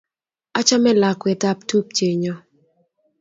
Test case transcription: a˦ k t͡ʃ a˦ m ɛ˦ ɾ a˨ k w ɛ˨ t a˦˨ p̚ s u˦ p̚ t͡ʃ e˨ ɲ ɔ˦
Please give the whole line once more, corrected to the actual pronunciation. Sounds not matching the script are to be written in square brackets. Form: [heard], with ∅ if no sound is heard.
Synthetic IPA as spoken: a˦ [∅] t͡ʃ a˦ m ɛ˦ [l] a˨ k w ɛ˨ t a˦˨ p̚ [t] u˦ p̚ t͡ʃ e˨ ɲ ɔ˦